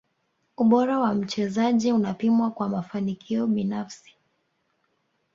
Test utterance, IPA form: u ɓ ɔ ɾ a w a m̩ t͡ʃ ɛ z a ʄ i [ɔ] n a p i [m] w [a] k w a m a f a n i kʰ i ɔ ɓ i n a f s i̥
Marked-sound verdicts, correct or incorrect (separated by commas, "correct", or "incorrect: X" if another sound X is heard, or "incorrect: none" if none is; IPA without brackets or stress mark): incorrect: u, correct, correct